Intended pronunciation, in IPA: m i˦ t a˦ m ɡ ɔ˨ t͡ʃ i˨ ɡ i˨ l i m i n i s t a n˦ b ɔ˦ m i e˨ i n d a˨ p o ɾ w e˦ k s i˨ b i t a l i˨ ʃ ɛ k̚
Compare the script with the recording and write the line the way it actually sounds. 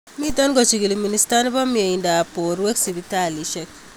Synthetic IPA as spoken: m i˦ t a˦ n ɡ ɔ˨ t͡ʃ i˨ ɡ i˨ l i m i n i s t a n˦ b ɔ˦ m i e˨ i n d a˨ p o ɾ w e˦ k s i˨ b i t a l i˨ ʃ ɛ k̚